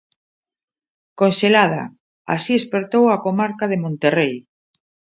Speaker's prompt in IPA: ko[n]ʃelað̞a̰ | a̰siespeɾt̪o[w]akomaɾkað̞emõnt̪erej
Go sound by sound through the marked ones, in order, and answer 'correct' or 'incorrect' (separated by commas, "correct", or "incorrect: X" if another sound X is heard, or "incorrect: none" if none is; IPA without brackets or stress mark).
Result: correct, correct